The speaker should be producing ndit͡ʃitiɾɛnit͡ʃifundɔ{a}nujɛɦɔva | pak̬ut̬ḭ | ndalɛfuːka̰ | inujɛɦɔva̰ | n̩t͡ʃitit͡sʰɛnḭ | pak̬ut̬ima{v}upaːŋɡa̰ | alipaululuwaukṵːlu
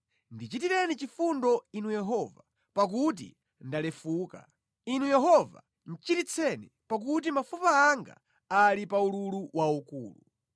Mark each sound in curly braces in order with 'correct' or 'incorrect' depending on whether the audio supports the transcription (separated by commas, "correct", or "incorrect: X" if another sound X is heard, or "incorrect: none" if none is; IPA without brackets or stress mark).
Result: incorrect: i, incorrect: f